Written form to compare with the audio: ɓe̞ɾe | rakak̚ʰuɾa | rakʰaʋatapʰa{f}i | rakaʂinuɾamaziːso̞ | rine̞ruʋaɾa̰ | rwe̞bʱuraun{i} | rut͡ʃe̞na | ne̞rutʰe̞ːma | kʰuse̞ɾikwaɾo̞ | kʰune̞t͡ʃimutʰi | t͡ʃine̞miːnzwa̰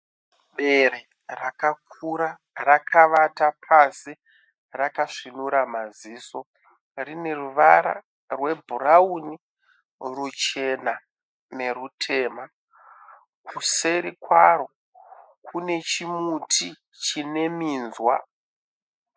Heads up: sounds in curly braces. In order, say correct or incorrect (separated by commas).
incorrect, correct